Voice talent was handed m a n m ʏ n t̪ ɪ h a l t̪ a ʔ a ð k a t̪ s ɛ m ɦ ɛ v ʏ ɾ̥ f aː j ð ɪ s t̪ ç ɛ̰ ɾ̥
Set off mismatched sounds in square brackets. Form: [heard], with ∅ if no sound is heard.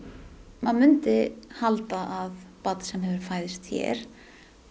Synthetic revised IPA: m a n m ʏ n t̪ ɪ h a l t̪ a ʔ a ð [p] a t̪ s ɛ m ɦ ɛ v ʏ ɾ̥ f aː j ð ɪ s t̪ ç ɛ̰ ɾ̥